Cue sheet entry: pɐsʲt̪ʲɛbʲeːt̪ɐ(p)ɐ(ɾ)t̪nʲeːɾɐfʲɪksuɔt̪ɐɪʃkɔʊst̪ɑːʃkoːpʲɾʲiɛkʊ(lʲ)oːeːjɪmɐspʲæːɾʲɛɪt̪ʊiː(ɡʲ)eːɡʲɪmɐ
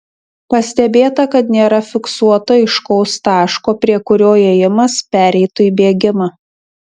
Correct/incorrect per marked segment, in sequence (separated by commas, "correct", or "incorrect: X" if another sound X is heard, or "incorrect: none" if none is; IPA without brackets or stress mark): incorrect: k, incorrect: none, incorrect: ɾʲ, incorrect: bʲ